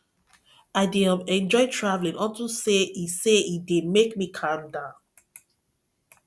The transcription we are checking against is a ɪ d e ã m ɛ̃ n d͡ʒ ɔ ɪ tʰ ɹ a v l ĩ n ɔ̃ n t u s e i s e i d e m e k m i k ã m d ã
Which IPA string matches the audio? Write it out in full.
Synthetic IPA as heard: a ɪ d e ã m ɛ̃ n d͡ʒ ɔ ɪ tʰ ɹ a v l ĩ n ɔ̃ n t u s e i s e i d e m e k m i kʰ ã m d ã